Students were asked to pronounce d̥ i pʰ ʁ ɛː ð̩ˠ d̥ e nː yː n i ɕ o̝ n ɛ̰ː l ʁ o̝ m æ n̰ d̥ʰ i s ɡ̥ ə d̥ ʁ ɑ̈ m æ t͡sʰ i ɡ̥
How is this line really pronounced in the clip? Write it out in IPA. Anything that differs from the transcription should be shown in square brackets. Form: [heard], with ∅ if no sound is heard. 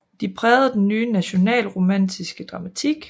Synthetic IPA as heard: d̥ i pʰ ʁ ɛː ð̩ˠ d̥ e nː yː n [æ] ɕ o̝ n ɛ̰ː l ʁ o̝ m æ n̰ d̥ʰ i s ɡ̥ ə d̥ ʁ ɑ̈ m æ t͡sʰ i ɡ̥